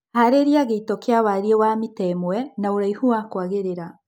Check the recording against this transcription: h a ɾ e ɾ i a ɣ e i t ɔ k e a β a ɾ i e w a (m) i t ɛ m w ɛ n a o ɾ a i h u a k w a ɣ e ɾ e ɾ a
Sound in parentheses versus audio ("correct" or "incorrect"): correct